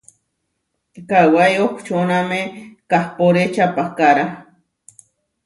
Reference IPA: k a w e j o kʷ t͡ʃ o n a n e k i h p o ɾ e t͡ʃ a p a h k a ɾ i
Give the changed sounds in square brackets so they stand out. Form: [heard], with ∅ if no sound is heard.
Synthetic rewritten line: k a w [a] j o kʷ t͡ʃ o n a [m] e k [a] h p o ɾ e t͡ʃ a p a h k a ɾ [a]